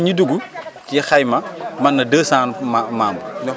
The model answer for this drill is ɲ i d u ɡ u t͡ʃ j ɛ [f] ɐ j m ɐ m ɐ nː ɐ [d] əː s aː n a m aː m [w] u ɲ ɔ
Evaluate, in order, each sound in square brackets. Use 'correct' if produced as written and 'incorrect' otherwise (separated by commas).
incorrect, correct, incorrect